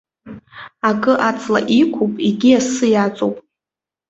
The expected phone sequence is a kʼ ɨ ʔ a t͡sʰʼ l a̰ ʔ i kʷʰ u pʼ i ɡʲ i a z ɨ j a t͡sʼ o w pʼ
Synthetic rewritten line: a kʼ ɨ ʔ a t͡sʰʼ l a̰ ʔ i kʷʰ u pʼ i ɡʲ i a s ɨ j a t͡sʼ o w pʼ